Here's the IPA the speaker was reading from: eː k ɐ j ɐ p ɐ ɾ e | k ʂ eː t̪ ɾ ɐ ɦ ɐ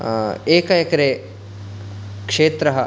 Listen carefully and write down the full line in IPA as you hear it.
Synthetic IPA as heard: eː k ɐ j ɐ k ɐ ɾ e | k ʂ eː t̪ ɾ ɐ ɦ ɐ